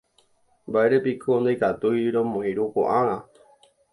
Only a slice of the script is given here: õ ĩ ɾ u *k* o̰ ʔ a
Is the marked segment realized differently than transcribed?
no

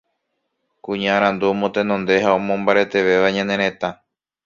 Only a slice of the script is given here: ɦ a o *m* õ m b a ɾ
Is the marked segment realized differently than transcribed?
no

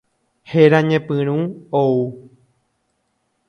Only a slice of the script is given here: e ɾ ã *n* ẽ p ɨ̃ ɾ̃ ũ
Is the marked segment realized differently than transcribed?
yes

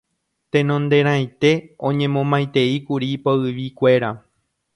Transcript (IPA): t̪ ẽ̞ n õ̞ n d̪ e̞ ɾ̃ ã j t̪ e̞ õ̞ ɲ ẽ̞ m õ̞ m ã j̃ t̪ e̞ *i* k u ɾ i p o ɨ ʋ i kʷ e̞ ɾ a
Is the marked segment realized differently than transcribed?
no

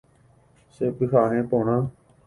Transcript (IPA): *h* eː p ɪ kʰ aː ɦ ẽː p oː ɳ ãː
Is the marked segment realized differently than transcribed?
yes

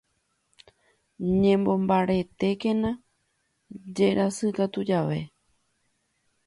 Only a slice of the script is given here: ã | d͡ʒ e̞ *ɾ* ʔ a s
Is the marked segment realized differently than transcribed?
no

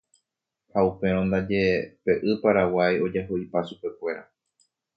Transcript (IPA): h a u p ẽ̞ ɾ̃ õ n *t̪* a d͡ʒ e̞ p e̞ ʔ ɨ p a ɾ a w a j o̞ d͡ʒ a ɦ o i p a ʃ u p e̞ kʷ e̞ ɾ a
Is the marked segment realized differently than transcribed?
yes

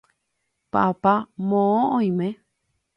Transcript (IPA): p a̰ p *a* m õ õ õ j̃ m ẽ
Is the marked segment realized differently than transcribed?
no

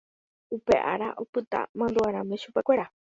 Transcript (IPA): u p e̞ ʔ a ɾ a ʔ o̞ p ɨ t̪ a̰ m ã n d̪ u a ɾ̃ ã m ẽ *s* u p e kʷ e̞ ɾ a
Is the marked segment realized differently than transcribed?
yes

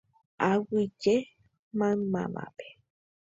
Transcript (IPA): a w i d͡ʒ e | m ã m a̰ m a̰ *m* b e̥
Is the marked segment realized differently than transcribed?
yes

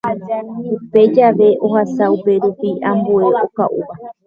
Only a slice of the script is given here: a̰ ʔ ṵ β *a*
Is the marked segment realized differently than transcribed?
no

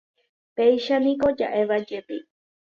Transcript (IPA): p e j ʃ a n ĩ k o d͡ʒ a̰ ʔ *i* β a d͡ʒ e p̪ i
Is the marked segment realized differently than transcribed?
yes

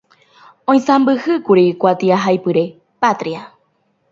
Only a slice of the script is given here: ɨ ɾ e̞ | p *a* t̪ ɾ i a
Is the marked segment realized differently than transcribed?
no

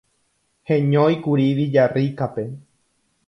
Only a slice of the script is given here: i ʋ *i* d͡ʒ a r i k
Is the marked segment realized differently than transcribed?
no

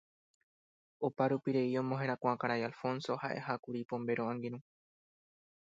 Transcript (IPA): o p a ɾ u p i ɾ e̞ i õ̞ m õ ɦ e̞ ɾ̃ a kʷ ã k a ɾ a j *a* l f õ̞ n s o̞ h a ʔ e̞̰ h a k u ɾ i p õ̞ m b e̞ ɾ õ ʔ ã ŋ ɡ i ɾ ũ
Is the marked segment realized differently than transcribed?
no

